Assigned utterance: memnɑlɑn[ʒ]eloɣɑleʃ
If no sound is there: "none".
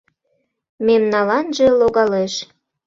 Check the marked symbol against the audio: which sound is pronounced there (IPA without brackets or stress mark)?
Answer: ʒ